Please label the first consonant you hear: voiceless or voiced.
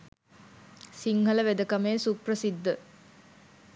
voiceless